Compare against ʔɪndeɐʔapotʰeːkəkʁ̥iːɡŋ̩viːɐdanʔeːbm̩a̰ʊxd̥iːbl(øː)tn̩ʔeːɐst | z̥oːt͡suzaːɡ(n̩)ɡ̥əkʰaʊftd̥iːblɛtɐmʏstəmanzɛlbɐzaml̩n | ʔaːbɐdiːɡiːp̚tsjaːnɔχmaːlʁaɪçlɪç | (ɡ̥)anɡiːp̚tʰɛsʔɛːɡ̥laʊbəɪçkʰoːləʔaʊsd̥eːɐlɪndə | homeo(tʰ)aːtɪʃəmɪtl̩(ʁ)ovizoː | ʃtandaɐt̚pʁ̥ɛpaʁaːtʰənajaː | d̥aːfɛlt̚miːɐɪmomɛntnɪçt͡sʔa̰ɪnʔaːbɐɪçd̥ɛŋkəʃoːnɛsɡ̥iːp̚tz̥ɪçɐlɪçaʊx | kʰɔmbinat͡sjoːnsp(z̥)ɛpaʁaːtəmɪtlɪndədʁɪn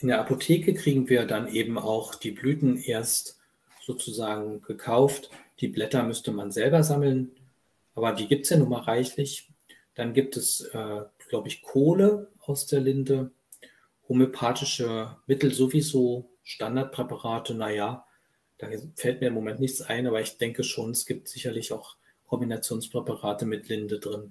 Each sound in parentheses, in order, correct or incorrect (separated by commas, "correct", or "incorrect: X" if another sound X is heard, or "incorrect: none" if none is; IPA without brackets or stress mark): incorrect: yː, incorrect: ŋ̩, incorrect: d̥, incorrect: pʰ, incorrect: z, incorrect: ʁ̥